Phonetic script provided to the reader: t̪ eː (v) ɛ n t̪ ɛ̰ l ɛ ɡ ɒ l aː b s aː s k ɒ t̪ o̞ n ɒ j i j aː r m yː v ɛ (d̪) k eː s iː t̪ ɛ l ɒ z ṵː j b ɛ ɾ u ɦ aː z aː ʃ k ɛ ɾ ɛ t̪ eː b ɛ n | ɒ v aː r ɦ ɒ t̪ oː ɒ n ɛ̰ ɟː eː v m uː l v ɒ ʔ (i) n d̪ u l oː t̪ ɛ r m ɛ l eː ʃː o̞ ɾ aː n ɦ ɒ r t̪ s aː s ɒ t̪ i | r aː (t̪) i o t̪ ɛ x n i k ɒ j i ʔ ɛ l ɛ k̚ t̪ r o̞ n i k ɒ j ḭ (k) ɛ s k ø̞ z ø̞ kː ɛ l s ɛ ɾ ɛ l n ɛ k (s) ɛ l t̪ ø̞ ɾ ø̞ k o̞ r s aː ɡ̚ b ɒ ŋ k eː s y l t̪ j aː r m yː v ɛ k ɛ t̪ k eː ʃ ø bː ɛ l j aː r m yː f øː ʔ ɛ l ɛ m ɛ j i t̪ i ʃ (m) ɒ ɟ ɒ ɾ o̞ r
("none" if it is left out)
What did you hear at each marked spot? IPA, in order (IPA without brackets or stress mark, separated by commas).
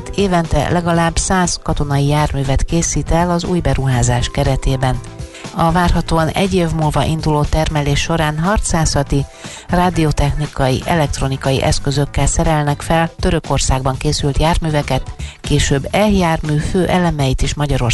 v, t̪, i, d̪, ʔ, f, m